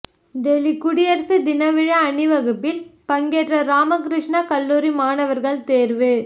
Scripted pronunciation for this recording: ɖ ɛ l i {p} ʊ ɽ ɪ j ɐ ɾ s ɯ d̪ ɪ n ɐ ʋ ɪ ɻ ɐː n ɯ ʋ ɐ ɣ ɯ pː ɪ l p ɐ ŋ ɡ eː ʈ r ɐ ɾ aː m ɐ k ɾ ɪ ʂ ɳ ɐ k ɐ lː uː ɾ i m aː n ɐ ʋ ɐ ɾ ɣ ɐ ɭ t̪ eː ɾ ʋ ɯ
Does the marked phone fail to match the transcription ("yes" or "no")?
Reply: yes